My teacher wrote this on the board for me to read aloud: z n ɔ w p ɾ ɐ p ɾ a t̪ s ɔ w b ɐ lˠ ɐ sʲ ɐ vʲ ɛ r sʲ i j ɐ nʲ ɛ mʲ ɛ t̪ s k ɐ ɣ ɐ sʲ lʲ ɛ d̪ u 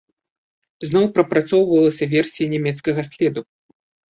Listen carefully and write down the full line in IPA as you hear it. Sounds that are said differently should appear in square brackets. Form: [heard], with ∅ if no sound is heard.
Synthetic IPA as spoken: z n ɔ w p ɾ ɐ p ɾ a t̪ s ɔ w [v] ɐ lˠ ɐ sʲ ɐ vʲ ɛ r sʲ i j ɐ nʲ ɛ mʲ ɛ t̪ s k ɐ ɣ ɐ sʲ lʲ ɛ d̪ u